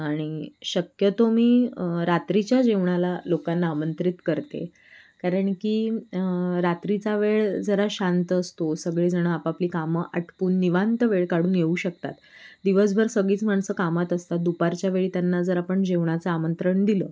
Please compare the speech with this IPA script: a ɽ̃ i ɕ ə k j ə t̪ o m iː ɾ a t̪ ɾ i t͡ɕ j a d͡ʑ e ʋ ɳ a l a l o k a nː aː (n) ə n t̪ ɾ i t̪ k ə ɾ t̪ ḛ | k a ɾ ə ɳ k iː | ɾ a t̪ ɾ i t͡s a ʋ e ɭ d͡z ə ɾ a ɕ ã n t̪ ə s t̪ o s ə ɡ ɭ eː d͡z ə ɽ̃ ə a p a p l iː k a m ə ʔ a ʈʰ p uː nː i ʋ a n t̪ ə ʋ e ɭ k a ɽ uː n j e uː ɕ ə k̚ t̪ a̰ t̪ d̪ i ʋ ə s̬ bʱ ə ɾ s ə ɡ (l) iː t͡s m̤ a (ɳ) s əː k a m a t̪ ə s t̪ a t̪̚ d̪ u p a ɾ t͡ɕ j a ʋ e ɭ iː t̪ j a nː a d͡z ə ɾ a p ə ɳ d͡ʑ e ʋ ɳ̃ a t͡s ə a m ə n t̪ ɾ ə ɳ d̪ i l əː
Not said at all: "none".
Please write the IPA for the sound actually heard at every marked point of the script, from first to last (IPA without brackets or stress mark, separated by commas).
m, ɭ, ɳ